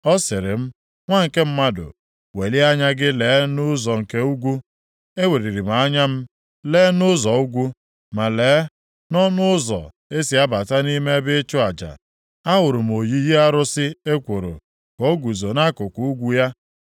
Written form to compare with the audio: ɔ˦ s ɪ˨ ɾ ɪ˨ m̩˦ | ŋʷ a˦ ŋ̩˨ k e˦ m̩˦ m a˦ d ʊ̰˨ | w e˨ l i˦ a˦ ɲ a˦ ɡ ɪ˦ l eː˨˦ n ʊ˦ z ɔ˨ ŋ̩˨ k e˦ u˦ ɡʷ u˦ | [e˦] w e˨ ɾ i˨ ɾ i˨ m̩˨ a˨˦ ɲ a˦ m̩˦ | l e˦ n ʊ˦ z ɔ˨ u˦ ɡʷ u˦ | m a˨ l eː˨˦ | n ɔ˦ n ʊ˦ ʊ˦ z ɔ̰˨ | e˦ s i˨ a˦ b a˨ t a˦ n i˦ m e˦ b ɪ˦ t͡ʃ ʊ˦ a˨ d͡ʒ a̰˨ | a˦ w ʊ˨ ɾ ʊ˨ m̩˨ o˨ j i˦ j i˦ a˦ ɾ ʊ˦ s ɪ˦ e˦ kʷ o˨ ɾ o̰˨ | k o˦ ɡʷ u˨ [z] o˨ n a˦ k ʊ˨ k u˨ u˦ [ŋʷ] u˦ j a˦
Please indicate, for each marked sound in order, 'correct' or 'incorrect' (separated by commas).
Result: correct, correct, incorrect